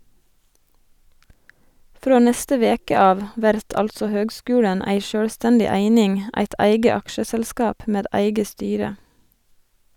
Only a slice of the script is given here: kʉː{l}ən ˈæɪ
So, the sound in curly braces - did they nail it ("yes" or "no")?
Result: no